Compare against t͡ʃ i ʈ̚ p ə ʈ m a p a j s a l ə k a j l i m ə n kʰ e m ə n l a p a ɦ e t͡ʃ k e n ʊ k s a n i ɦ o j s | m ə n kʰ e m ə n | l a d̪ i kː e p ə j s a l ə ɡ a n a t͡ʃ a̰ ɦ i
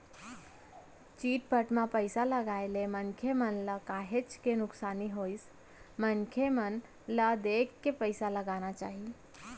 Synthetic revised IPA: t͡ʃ i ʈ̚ p ə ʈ m a p ə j s a l ə ɡ a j l e m ə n kʰ e m ə n l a k a ɦ e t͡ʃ k e n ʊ k s a n i ɦ o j s | m ə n kʰ e m ə n | l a d̪ e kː e p ə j s a l ə ɡ a n a t͡ʃ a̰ ɦ i